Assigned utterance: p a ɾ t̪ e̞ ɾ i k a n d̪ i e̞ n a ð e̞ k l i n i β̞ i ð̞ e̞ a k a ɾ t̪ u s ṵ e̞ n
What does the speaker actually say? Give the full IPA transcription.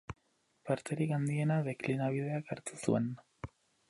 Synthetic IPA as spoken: p a ɾ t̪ e̞ ɾ i k a n d̪ i e̞ n a ð e̞ k l i n a β̞ i ð̞ e̞ a k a ɾ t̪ u s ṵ e̞ n